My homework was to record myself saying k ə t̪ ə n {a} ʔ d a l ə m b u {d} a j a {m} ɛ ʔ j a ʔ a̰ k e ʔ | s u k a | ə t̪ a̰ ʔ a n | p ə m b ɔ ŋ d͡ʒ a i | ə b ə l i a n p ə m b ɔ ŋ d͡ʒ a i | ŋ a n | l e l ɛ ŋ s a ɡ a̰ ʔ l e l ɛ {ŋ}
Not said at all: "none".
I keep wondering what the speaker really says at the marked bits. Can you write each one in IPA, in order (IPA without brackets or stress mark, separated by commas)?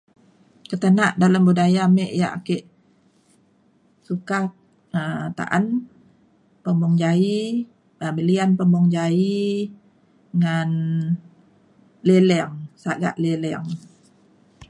a, d, m, ŋ